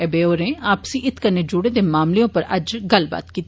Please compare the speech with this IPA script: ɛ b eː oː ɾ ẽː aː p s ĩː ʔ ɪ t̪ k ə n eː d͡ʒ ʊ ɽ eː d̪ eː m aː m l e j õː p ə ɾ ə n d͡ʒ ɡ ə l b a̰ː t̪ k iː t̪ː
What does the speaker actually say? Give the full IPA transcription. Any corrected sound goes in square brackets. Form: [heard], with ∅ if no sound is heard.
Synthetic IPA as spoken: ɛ b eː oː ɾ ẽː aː p s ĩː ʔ ɪ t̪ k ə n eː d͡ʒ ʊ ɽ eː d̪ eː m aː m l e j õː p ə ɾ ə [∅] d͡ʒ ɡ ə l b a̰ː t̪ k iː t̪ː